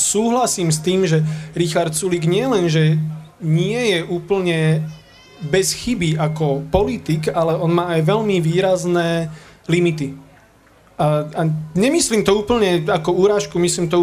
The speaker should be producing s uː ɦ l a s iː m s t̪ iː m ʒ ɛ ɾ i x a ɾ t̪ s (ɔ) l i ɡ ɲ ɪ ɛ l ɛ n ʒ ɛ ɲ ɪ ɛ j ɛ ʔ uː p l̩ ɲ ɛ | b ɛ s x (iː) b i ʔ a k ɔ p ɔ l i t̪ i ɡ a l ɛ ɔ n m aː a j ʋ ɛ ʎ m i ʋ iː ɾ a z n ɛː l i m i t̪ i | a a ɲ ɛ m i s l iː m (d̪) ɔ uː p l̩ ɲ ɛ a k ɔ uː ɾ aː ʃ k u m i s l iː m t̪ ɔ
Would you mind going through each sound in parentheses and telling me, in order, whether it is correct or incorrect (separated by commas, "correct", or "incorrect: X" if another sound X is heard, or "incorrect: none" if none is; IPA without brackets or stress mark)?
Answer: incorrect: u, incorrect: i, incorrect: t̪